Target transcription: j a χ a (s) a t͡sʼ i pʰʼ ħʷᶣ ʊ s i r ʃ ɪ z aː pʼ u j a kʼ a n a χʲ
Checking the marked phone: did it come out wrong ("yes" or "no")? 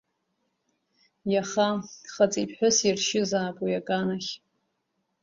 yes